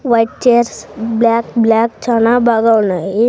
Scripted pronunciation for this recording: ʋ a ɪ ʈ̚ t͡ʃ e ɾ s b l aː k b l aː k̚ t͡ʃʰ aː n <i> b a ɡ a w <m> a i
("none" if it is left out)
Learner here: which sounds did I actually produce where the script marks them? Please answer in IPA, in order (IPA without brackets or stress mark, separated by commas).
a, n